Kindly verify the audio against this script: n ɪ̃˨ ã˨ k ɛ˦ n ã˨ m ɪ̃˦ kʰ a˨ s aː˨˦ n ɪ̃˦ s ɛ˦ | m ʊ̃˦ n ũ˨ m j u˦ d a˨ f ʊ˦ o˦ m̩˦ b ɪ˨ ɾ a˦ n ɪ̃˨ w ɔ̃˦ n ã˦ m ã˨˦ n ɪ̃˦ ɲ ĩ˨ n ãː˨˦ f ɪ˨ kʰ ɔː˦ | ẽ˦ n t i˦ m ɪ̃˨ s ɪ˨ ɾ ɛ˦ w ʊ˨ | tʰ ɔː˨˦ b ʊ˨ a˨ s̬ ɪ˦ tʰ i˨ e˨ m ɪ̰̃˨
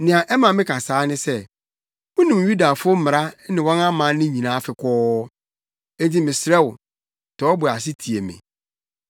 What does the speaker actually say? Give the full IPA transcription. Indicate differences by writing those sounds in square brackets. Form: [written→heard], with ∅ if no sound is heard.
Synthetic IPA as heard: n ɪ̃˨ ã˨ [k→ʔ] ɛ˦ [n→m] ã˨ m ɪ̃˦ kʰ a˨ s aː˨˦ n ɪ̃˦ s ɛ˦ | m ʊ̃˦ n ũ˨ m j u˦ d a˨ f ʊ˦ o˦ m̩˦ [b→m] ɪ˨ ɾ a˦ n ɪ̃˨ w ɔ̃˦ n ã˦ m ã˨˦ n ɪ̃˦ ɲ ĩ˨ n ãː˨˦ f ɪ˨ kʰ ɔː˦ | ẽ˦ n t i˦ m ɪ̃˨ s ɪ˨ ɾ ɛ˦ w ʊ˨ | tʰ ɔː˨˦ b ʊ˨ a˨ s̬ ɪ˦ tʰ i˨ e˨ m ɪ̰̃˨

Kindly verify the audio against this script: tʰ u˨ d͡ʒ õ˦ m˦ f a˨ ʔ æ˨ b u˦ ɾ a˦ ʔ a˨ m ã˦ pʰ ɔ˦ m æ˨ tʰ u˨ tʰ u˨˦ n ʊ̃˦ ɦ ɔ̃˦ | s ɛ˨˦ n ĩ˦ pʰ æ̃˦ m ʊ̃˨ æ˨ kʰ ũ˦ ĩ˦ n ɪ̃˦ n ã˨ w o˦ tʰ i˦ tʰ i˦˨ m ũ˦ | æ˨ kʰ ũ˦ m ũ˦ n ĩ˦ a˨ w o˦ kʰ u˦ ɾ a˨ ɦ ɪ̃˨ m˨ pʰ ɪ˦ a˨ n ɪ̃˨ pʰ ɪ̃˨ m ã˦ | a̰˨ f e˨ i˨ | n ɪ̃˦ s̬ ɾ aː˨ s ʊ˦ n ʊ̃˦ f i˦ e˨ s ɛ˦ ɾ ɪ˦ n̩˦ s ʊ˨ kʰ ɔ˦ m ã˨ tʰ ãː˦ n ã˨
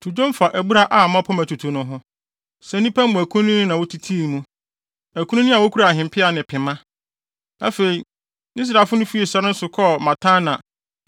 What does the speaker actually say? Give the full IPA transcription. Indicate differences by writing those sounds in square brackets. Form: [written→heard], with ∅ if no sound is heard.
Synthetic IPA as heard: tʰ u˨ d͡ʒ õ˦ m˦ f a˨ ʔ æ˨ b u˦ ɾ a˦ ʔ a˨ m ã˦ pʰ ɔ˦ m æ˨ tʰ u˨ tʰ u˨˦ n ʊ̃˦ ɦ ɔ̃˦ | s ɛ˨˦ n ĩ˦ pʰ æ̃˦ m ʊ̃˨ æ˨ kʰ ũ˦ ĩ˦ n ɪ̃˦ n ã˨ w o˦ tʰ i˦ tʰ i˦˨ m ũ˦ | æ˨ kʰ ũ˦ [m→n] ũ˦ n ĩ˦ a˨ w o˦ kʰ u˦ ɾ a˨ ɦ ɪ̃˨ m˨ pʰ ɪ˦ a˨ n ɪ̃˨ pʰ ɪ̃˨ m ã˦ | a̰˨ f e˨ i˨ | n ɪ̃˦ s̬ ɾ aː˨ [s→f] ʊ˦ n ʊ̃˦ f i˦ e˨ s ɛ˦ ɾ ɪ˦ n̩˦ s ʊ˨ kʰ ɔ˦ m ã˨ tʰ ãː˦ n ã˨

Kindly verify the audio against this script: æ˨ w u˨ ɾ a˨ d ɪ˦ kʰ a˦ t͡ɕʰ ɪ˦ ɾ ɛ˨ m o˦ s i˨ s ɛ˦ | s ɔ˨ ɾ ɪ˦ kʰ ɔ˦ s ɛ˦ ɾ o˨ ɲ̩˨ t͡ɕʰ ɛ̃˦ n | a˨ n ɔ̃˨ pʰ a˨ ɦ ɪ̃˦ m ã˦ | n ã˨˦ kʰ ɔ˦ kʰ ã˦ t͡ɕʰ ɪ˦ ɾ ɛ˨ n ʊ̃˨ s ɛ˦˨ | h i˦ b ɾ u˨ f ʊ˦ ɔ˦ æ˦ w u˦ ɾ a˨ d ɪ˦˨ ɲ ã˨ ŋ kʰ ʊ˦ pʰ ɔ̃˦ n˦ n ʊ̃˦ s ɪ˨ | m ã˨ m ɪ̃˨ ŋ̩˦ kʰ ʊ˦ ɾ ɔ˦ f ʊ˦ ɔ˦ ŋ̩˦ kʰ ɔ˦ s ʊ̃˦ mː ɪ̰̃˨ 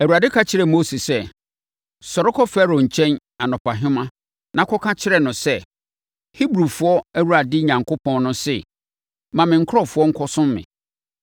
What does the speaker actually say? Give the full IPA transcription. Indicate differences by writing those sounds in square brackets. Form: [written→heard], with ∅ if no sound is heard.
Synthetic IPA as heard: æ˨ w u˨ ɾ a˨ d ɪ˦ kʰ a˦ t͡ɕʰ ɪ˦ ɾ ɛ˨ m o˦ s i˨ s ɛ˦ | s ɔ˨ ɾ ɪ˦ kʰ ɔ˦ [s→f] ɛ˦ ɾ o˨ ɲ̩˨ t͡ɕʰ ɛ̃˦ n | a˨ n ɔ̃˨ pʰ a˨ ɦ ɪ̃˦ m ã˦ | n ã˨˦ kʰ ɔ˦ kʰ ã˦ t͡ɕʰ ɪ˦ ɾ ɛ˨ n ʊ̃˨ s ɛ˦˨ | h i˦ b ɾ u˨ f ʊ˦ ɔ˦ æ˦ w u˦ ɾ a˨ d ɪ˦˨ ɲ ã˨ ŋ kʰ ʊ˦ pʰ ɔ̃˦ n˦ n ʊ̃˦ s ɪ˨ | m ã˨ m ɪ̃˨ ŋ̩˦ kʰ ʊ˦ ɾ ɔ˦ f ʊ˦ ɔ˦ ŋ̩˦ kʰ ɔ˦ s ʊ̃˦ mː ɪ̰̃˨

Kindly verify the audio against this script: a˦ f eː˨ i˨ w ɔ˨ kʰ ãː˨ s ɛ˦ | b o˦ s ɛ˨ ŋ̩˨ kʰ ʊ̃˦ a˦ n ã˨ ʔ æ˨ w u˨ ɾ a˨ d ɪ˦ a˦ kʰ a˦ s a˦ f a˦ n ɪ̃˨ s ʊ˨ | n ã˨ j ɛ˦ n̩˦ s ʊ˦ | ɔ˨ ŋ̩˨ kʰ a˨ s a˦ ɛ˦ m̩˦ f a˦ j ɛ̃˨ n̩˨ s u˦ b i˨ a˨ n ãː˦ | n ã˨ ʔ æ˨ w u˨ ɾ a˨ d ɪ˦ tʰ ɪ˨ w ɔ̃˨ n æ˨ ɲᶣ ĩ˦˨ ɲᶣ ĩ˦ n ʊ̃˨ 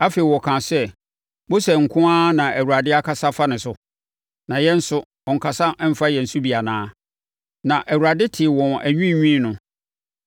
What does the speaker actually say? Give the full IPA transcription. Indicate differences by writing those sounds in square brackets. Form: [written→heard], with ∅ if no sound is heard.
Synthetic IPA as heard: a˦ f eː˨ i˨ w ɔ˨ kʰ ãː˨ s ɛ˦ | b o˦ s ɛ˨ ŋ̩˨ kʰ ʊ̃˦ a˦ n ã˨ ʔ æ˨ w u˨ ɾ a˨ d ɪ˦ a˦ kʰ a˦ s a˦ f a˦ n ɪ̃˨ s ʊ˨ | n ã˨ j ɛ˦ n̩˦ s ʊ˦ | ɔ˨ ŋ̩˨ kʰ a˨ s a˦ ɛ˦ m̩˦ f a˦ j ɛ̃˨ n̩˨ s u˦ b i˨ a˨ n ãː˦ | n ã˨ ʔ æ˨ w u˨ ɾ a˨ d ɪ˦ tʰ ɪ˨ w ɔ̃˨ n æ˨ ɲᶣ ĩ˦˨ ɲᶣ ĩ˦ n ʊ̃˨

